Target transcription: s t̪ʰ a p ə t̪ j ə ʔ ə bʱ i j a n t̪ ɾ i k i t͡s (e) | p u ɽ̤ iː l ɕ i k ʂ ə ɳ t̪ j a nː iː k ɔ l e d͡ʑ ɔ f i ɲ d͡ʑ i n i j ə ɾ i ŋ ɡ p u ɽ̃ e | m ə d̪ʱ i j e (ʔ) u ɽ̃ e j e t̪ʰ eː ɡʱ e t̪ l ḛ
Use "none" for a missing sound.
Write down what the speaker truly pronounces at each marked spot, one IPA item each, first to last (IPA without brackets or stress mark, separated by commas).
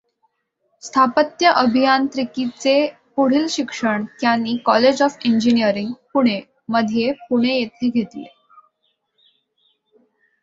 e, p